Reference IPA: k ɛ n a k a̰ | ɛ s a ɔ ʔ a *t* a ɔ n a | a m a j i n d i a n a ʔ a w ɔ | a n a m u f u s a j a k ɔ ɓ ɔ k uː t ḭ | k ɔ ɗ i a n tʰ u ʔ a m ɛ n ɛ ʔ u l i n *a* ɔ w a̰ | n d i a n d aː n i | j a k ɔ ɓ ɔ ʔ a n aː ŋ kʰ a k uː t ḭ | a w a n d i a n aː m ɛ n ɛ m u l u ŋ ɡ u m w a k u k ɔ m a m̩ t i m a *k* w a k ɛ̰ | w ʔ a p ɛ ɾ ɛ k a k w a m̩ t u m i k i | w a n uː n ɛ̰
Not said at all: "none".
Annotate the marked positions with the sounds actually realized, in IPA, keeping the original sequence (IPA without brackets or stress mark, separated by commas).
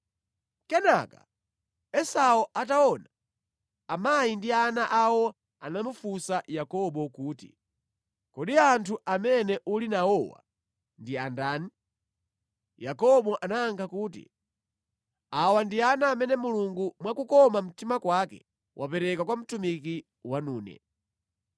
t, a, k